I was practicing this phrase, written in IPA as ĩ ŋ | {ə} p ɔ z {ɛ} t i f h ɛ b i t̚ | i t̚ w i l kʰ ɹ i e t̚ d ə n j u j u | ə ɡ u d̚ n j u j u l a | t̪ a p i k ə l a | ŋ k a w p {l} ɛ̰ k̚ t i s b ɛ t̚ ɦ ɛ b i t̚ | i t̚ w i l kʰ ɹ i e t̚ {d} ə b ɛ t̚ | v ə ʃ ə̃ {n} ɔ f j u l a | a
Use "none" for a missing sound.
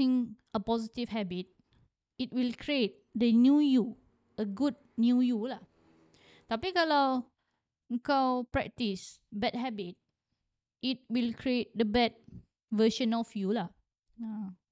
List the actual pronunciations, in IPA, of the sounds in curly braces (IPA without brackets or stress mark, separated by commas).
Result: ə, i, ɹ, d, n